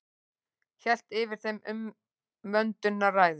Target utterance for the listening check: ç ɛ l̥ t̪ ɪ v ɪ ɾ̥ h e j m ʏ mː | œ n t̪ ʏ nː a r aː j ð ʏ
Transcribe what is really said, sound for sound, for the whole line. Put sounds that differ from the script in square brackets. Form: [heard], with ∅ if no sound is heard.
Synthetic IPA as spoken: ç ɛ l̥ t̪ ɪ v ɪ ɾ̥ [θ] e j m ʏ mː | œ n t̪ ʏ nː a r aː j ð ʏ